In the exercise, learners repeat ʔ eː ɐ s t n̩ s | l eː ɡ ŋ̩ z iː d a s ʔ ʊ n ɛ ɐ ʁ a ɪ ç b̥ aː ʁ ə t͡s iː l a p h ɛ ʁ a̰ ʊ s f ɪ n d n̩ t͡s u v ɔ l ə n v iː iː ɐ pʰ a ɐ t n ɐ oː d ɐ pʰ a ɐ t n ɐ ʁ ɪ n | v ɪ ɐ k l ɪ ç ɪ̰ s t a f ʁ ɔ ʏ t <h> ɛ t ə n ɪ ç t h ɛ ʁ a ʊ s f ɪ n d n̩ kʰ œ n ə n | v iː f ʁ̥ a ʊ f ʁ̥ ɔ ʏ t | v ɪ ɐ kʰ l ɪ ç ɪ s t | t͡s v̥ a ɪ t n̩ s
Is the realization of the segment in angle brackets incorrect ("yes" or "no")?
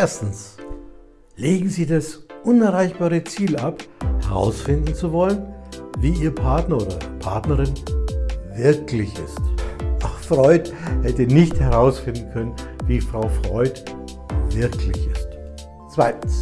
no